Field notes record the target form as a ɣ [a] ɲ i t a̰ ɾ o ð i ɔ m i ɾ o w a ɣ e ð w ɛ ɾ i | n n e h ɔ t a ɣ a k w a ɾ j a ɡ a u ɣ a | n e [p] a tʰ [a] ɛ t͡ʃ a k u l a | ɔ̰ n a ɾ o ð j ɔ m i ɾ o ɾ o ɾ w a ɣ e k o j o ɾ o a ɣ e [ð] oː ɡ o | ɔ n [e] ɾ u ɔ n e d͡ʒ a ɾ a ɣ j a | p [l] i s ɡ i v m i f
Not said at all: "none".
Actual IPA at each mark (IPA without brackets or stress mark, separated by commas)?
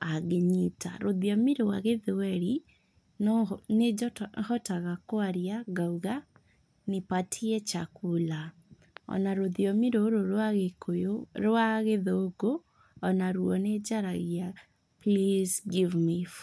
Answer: e, p, i, ð, a, l